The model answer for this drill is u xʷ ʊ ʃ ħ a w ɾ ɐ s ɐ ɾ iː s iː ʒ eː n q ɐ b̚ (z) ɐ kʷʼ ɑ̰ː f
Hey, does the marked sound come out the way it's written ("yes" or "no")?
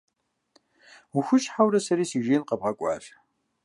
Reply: no